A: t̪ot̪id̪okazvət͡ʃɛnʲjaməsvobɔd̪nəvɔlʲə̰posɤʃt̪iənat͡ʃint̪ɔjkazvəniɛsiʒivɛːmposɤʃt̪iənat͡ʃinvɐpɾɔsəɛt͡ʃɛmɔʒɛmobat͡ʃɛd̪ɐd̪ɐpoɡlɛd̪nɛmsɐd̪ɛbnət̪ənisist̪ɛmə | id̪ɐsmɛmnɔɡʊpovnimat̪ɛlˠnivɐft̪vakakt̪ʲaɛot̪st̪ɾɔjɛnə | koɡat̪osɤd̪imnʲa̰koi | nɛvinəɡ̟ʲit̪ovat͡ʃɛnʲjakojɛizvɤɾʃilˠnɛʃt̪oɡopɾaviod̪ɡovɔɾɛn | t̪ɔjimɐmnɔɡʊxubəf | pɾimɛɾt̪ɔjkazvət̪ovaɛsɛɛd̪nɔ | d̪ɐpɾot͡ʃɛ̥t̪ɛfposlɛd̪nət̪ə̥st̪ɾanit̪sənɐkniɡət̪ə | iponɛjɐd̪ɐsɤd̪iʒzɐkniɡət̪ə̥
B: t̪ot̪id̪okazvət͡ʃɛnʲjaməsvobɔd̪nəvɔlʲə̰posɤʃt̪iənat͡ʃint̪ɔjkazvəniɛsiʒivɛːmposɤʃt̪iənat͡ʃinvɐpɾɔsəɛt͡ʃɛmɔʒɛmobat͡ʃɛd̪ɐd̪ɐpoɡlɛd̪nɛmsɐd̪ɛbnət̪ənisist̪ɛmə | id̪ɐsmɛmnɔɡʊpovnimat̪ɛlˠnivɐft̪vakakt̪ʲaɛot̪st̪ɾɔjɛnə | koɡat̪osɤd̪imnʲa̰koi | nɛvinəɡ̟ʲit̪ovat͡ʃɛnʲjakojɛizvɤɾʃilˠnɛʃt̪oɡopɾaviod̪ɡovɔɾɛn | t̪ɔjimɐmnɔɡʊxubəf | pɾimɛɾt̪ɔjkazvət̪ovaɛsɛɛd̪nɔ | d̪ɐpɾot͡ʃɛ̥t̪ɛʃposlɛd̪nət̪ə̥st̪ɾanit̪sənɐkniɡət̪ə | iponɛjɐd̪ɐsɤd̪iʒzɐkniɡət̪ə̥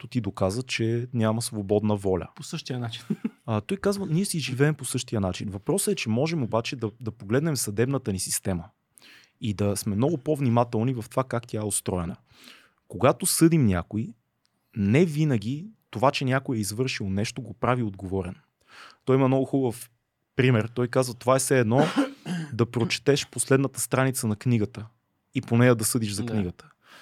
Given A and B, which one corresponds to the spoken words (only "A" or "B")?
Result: B